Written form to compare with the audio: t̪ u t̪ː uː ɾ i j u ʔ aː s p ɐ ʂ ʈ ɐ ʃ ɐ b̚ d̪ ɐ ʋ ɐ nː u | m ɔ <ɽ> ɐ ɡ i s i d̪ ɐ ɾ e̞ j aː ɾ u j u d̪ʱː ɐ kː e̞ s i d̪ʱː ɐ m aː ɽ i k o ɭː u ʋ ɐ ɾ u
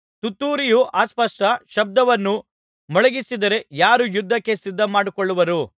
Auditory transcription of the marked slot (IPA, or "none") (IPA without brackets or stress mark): ɭ